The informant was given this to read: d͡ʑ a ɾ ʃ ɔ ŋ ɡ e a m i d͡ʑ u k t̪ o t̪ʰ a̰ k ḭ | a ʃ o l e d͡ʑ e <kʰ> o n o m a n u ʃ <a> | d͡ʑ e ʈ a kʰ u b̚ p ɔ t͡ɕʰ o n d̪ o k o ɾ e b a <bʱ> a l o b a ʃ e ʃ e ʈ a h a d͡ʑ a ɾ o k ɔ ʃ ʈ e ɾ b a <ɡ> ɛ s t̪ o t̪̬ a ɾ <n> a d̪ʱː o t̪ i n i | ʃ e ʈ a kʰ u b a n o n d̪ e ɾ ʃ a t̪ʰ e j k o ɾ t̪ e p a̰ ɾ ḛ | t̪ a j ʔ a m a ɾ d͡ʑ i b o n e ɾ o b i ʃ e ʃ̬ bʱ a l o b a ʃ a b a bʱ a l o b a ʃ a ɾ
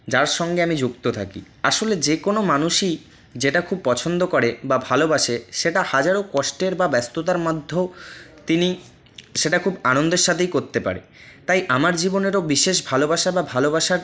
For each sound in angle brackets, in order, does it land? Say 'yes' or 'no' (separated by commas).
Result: no, no, yes, no, no